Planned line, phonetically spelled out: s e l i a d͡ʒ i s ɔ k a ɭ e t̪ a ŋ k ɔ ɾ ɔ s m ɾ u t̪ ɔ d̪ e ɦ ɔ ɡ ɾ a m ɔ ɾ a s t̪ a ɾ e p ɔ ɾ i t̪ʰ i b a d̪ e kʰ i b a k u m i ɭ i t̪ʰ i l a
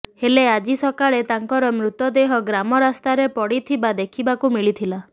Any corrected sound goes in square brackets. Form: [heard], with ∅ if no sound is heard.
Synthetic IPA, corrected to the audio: [h] e l [e] a d͡ʒ i s ɔ k a ɭ e t̪ a ŋ k ɔ ɾ ɔ [∅] m ɾ u t̪ ɔ d̪ e ɦ ɔ ɡ ɾ a m ɔ ɾ a s t̪ a ɾ e p ɔ [ɽ] i t̪ʰ i b a d̪ e kʰ i b a k u m i ɭ i t̪ʰ i l a